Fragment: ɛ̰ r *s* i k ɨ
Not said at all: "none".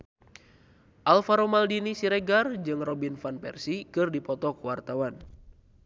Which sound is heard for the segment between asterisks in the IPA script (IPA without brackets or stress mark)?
s